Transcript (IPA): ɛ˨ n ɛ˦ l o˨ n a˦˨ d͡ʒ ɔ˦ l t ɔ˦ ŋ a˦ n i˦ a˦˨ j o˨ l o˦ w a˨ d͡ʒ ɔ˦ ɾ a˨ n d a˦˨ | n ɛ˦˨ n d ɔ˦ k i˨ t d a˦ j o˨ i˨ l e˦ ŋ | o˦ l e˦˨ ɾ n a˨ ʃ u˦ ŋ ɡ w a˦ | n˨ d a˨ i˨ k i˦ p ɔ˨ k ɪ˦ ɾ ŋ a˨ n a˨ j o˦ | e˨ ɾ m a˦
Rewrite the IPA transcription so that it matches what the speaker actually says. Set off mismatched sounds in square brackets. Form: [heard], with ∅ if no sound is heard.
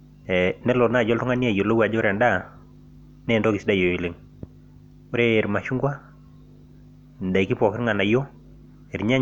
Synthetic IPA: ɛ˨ n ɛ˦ l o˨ n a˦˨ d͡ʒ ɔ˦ l t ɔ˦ ŋ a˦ n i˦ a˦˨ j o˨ l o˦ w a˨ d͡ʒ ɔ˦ ɾ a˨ n d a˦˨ | n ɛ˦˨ n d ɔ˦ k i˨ [s] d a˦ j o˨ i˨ l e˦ ŋ | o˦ [ɾ] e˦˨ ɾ [m] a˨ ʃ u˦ ŋ ɡ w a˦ | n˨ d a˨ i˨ k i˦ p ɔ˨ k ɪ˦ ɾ ŋ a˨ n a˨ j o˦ | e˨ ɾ [ɲ] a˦

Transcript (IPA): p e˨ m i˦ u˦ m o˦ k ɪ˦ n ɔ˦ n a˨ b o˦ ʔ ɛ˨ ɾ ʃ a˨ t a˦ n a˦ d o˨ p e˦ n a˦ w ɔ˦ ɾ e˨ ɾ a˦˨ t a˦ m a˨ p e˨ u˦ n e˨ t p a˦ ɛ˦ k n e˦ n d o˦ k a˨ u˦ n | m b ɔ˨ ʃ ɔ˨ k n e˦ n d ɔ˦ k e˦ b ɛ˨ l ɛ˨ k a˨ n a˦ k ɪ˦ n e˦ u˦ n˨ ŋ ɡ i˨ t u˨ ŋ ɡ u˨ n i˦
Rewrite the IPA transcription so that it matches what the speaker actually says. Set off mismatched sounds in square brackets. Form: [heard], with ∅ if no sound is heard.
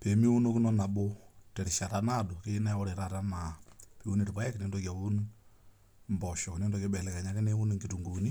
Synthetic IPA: p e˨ m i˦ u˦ [n] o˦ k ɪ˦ n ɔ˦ n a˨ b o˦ [t] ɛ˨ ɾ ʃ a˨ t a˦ n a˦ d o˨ [k] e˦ n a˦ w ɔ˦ ɾ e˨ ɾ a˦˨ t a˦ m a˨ p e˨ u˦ n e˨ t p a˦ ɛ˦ k n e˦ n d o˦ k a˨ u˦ n | m b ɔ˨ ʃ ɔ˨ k n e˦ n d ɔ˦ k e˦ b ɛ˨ l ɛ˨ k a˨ [ɲ] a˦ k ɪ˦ n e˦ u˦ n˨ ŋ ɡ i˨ t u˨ ŋ ɡ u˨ n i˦

